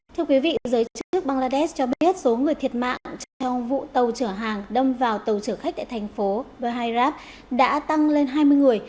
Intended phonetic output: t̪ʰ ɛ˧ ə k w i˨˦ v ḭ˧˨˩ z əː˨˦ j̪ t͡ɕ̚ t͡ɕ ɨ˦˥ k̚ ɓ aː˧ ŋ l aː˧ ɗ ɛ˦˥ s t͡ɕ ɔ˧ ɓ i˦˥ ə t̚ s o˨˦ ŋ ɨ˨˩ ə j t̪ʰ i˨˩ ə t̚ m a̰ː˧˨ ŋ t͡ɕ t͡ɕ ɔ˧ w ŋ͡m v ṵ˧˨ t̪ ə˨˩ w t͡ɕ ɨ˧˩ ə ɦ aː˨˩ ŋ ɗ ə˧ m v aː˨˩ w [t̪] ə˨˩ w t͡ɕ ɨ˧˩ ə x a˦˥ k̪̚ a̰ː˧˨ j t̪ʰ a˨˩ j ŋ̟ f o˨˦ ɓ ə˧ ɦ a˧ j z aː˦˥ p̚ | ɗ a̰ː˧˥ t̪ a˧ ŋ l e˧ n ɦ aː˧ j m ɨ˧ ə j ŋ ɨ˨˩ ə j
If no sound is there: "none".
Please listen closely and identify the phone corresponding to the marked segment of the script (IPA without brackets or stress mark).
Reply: t̪